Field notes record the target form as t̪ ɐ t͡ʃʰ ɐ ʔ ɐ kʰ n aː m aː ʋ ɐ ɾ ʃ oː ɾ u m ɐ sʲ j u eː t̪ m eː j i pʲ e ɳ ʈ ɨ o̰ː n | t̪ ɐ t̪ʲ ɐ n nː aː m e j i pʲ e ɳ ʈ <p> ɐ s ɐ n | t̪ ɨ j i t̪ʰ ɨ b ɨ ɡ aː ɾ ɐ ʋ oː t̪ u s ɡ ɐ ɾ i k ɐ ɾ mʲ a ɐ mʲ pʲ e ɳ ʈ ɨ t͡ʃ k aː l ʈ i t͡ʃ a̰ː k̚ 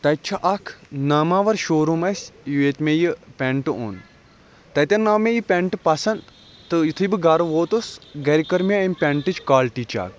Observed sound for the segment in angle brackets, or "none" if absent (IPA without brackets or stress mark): p